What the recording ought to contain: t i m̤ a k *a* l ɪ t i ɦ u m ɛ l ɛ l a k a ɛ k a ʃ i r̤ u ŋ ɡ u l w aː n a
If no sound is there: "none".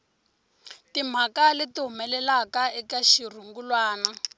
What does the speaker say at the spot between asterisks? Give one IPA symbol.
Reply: a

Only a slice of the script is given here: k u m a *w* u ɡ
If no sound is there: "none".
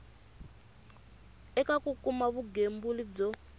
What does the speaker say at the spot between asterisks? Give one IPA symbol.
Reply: β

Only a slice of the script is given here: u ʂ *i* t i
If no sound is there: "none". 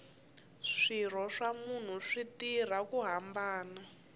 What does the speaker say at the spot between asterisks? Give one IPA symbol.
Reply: i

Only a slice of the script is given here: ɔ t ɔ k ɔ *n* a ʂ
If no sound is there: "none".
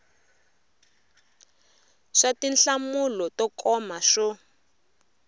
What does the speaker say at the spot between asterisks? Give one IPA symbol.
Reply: m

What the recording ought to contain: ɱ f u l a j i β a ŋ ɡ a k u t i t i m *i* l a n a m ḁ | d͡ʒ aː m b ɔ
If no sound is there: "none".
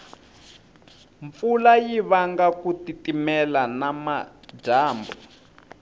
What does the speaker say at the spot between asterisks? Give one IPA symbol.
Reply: ɛ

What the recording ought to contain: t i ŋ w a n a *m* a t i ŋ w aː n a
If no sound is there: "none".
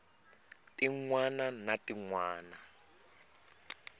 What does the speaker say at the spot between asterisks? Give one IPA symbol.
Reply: n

